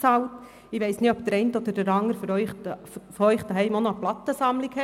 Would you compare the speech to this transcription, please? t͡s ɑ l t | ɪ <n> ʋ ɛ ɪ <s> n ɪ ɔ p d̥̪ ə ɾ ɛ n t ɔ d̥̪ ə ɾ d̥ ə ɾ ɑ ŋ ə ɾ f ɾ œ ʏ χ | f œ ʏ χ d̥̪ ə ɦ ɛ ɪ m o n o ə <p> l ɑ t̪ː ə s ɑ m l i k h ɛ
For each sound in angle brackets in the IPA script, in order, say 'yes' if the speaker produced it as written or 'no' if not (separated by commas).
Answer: no, yes, yes